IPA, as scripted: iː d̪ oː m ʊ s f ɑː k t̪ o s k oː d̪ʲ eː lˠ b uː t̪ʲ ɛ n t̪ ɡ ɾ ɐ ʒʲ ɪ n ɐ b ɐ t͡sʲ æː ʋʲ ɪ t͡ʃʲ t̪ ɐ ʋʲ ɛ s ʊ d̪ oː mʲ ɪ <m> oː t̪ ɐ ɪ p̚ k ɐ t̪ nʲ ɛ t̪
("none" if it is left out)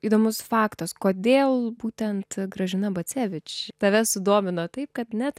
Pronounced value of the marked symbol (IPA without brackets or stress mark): n